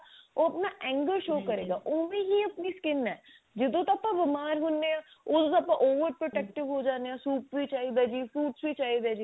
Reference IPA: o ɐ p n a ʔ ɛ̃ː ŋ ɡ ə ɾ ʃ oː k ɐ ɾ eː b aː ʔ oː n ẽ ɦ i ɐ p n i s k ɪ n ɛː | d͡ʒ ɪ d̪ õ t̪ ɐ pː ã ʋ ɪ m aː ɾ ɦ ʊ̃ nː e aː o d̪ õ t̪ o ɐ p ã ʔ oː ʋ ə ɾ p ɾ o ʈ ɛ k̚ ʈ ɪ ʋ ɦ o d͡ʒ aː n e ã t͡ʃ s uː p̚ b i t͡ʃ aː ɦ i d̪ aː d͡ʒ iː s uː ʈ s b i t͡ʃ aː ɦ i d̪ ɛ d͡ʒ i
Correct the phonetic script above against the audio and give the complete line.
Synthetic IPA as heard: o ɐ p n a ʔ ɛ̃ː ŋ ɡ ə ɾ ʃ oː k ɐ ɾ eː ɡ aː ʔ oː m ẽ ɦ i ɐ p n i s k ɪ n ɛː | d͡ʒ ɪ d̪ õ t̪ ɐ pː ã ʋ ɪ m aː ɾ ɦ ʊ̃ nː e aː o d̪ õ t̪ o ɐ p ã ʔ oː ʋ ə ɾ p ɾ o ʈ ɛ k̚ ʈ ɪ ʋ ɦ o d͡ʒ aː n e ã s uː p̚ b i t͡ʃ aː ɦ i d̪ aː d͡ʒ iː f uː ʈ s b i t͡ʃ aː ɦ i d̪ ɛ d͡ʒ i